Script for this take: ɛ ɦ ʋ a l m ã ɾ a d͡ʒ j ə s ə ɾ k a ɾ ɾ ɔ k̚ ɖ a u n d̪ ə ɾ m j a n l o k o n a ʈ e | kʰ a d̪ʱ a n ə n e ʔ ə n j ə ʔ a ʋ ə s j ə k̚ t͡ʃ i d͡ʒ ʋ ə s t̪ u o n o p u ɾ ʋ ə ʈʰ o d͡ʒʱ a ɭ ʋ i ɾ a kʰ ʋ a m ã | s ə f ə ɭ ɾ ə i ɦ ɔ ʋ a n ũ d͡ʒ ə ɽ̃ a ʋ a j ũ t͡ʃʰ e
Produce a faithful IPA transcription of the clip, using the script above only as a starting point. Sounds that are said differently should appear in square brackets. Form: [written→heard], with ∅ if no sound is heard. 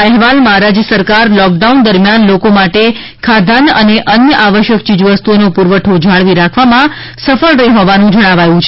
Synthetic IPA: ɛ ɦ ʋ a l m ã ɾ a d͡ʒ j ə s ə ɾ k a ɾ [ɾ→l] ɔ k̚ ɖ a u n d̪ ə ɾ m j a n l o k o [n→m] a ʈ e | kʰ a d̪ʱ a n ə n e ʔ ə n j ə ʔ a ʋ ə [s→ʃ] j ə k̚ t͡ʃ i d͡ʒ ʋ ə s t̪ u o n o p u ɾ ʋ ə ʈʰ o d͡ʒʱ a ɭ ʋ i ɾ a kʰ ʋ a m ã | s ə f ə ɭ ɾ ə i ɦ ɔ ʋ a n ũ d͡ʒ ə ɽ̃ a ʋ a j ũ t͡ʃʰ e